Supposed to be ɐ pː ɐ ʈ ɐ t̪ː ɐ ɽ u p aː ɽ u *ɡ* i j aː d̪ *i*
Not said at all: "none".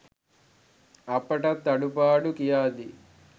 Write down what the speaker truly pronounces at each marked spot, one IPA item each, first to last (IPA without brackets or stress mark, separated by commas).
k, i